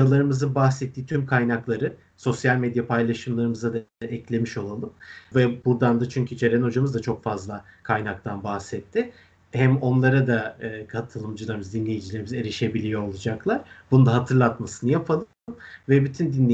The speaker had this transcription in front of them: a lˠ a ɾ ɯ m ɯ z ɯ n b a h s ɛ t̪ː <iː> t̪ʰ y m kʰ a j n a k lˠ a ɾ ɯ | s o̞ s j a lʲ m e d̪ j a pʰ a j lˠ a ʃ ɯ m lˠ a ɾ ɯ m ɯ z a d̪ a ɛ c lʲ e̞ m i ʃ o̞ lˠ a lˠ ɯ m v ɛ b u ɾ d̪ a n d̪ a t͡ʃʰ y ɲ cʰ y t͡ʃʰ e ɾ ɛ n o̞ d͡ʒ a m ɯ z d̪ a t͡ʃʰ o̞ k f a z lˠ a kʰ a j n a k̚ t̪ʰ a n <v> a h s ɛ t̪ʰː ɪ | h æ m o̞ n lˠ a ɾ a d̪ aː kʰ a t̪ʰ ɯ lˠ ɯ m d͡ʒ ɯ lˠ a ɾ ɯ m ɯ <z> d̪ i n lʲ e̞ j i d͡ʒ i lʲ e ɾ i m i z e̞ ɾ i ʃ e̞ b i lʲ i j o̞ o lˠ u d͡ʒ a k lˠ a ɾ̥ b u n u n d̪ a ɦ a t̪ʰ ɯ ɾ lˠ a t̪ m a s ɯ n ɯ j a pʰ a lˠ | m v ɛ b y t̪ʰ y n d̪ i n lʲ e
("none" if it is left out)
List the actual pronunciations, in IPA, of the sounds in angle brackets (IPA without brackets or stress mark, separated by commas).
iː, b, z